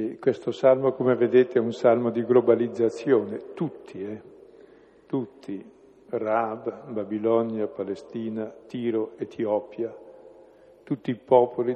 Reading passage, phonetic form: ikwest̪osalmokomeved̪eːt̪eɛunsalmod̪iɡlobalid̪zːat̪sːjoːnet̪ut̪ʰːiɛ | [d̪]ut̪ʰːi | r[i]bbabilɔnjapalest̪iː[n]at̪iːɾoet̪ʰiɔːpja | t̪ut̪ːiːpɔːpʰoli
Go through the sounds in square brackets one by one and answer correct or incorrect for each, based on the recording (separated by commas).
incorrect, incorrect, correct